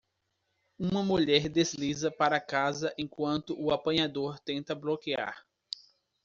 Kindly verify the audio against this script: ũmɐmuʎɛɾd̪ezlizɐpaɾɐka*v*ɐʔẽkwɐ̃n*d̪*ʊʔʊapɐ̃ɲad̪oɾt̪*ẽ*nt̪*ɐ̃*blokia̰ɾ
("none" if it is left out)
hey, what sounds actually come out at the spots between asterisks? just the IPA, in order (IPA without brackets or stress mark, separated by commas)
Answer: z, t̪, ẽ, ɐ